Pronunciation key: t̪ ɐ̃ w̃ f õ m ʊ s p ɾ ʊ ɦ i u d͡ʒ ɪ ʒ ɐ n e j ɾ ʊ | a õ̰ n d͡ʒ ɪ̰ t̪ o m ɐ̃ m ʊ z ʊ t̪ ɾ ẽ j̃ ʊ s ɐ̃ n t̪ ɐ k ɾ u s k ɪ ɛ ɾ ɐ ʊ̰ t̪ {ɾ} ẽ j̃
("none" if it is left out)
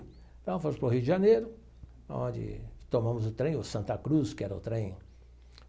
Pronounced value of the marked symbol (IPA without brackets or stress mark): ɾ